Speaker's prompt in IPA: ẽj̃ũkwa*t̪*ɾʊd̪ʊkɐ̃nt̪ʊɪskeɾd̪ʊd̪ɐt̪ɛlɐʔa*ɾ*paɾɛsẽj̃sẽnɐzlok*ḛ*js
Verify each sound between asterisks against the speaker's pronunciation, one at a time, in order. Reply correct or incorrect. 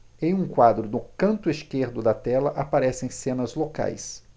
incorrect: d̪, incorrect: none, incorrect: a̰

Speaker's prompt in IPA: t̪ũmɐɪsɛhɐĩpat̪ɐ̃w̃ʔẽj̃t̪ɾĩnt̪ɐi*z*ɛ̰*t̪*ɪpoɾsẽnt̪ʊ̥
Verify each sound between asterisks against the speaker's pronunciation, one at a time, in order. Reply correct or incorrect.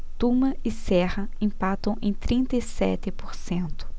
incorrect: s, correct

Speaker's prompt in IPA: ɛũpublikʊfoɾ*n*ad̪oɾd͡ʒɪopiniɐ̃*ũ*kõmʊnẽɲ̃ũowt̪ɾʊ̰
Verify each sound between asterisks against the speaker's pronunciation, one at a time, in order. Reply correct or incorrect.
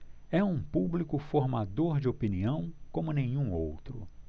incorrect: m, incorrect: w̃

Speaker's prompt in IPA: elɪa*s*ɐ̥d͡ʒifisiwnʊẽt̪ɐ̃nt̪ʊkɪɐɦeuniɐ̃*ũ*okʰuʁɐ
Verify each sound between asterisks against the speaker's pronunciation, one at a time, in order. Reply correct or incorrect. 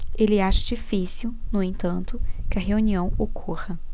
incorrect: ʃ, incorrect: w̃

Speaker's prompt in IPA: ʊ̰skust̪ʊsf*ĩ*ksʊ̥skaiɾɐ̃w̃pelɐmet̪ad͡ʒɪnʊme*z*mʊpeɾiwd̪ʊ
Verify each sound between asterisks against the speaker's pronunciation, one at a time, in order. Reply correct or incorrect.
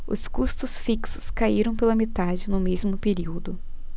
incorrect: i, correct

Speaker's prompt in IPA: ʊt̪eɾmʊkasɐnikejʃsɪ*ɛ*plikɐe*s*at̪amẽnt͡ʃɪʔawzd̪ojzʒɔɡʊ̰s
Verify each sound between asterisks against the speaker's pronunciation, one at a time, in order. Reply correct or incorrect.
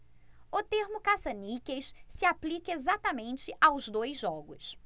incorrect: a, incorrect: z

